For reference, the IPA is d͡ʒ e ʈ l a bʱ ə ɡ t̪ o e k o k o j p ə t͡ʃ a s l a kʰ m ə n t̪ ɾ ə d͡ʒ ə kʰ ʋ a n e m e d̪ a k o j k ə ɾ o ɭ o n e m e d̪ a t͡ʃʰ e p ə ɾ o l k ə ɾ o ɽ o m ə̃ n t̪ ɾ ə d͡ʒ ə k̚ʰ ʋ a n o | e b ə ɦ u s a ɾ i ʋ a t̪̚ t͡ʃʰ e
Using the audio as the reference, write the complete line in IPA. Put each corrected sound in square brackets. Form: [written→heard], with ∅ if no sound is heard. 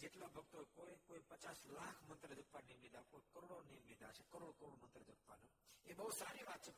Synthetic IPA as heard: d͡ʒ e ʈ l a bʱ ə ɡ t̪ o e k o k o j p ə t͡ʃ a s l a kʰ m ə n t̪ ɾ ə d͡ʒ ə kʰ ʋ a n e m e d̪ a k o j k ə ɾ o [ɭ→ɽ] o n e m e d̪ a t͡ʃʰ e [p→k] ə ɾ o [l→ɽ] k ə ɾ o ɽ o m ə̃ n t̪ ɾ ə d͡ʒ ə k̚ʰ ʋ a n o | e b ə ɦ u s a ɾ i ʋ a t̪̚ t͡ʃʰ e